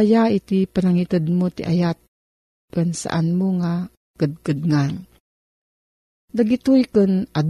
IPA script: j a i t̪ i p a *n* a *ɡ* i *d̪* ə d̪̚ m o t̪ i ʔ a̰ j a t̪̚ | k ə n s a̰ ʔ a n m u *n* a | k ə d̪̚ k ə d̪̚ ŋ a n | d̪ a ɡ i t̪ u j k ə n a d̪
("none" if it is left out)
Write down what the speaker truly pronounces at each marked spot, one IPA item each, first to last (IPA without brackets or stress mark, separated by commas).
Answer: n, ŋ, t̪, ŋ